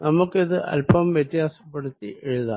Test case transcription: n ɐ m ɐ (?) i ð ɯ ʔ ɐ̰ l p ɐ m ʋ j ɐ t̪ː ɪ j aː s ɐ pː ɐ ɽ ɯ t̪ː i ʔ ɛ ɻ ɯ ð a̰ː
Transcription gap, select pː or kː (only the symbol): kː